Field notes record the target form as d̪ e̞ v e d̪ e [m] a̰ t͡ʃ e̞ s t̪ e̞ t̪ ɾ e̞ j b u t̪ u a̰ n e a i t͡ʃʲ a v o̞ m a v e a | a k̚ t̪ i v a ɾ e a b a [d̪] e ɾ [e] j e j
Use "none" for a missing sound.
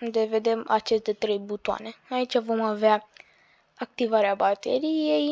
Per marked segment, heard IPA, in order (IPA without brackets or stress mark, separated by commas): m, t̪, i